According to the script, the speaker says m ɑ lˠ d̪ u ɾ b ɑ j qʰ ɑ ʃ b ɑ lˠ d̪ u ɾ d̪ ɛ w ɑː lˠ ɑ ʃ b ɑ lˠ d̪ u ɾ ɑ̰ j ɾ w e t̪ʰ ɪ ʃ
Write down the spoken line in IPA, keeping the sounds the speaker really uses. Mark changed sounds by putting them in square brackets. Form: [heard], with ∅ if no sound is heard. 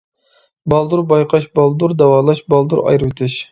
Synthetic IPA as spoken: [b] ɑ lˠ d̪ u ɾ b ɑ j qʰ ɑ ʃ b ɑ lˠ d̪ u ɾ d̪ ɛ w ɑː lˠ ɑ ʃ b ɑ lˠ d̪ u ɾ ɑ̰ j ɾ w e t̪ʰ ɪ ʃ